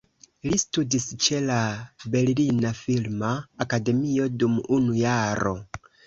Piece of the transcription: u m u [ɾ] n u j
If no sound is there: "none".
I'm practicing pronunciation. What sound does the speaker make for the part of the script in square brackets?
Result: none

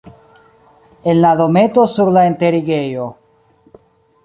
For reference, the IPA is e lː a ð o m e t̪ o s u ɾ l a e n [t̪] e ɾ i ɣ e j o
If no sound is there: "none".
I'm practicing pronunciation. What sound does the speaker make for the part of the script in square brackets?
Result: t̪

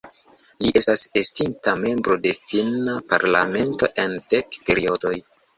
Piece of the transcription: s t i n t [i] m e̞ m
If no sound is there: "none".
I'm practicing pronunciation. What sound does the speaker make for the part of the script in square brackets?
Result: a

